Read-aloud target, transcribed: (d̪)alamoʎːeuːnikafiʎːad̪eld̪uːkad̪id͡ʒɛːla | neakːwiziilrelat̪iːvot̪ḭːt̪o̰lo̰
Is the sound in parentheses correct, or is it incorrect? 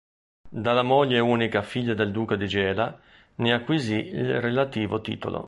correct